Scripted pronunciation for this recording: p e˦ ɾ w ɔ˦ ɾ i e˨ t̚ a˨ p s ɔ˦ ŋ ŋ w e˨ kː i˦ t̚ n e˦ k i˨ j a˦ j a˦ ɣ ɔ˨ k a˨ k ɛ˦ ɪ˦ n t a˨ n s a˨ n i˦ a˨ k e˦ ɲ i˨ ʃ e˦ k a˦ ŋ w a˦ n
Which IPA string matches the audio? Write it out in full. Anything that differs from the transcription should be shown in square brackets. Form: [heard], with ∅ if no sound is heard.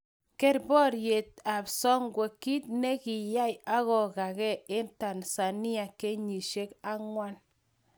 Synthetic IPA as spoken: [k] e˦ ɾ [b] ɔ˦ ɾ [j] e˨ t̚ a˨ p s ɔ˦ ŋ [ɡ] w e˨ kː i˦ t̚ n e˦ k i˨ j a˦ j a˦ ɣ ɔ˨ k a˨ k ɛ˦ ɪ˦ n t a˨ n s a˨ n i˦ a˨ k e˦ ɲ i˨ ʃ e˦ k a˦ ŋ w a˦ n